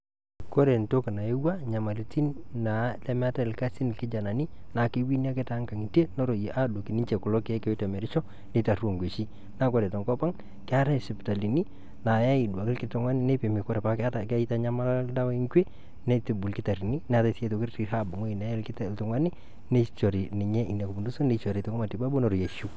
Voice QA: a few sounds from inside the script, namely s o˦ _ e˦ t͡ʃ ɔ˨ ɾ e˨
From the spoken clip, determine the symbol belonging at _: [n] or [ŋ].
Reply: n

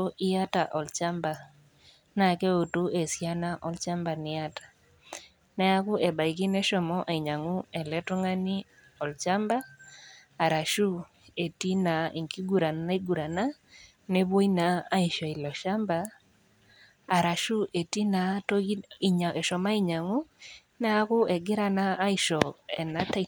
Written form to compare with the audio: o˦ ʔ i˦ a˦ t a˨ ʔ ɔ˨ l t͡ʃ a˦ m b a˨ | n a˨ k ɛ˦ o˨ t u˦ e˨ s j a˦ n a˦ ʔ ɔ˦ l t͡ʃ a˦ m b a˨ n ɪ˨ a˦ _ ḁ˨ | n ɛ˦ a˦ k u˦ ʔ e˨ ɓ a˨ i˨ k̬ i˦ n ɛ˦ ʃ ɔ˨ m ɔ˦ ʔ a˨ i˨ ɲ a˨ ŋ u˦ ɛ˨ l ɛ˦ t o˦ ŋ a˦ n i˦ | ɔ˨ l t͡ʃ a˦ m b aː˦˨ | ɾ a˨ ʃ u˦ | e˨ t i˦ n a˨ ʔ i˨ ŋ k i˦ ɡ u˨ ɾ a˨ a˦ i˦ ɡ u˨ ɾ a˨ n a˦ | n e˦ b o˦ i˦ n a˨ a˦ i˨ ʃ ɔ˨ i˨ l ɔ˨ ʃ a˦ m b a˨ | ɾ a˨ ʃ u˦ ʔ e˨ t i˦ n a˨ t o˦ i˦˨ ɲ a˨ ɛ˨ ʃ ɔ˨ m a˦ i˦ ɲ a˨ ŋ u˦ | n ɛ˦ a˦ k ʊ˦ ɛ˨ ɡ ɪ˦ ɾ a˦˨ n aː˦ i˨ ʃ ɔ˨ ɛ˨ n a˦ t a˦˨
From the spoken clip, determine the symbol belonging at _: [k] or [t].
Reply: t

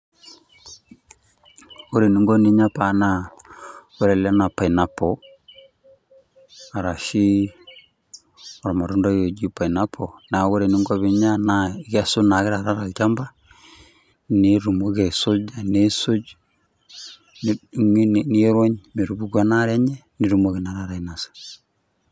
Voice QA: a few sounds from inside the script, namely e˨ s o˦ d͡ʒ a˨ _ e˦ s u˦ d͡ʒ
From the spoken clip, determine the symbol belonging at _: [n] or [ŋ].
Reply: n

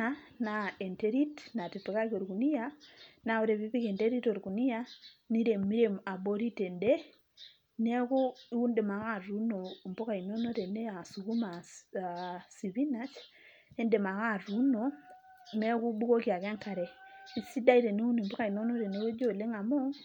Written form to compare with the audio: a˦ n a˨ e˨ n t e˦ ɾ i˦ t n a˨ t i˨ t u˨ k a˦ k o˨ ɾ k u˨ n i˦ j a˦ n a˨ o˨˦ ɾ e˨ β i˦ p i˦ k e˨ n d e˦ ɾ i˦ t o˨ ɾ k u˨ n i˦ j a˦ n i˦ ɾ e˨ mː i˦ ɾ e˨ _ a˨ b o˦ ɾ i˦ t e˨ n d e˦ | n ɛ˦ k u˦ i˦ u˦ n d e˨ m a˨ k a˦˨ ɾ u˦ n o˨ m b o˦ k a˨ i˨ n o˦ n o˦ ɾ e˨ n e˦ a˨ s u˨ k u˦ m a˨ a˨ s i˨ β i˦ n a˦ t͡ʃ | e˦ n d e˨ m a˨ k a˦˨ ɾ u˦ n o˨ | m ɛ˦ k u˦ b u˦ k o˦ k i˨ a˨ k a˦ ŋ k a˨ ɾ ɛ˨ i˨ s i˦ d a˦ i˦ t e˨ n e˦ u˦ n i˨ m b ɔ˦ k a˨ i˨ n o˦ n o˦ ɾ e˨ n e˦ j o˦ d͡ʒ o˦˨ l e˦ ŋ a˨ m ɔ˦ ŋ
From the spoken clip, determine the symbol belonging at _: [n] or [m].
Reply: m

